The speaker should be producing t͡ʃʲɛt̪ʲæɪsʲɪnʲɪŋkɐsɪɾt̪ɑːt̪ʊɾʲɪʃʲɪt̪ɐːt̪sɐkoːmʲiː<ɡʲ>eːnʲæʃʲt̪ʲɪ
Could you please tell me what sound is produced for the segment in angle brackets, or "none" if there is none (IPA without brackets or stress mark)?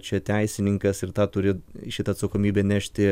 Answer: bʲ